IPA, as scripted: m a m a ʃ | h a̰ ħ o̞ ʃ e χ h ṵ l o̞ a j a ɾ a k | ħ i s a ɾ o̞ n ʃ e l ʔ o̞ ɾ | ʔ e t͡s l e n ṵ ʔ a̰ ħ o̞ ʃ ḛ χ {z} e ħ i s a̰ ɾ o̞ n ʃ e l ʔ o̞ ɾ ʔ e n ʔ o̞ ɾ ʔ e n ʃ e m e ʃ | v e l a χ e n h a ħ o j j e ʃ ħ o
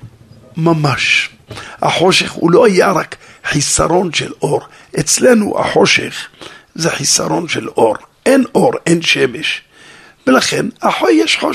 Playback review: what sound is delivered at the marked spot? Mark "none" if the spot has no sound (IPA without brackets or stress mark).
z